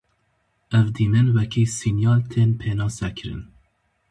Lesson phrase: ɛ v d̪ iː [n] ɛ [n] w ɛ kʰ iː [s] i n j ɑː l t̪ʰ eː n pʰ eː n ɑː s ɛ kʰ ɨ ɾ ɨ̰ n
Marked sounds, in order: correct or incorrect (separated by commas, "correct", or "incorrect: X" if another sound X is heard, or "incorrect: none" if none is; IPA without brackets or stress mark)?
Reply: incorrect: m, correct, correct